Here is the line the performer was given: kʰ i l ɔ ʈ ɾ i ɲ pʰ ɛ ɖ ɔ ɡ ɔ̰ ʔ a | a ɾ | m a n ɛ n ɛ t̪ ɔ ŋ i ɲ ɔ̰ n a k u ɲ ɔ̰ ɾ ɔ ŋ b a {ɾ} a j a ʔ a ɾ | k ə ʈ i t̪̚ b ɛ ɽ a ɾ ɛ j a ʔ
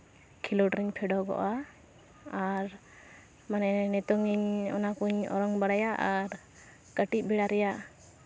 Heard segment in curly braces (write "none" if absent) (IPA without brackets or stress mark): ɽ